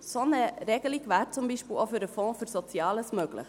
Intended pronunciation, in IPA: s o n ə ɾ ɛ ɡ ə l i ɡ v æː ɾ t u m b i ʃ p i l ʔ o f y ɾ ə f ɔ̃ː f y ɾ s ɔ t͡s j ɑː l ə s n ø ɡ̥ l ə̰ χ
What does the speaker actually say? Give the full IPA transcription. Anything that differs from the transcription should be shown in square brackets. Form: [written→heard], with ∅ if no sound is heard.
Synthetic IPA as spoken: s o n ə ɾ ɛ ɡ ə l i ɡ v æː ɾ [t→t͡s] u m b i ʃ p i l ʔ o f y ɾ ə f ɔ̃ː f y ɾ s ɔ t͡s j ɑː l ə s [n→m] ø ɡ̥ l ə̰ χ